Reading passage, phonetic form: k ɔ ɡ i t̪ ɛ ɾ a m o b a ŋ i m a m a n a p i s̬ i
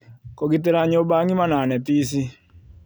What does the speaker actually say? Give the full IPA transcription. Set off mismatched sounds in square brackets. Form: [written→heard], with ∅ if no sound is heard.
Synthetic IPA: k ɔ ɡ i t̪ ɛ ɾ a [m→ɲ] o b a ŋ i m a [m→n] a n [a→ɛ] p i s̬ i